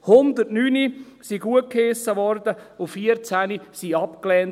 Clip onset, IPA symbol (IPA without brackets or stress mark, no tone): h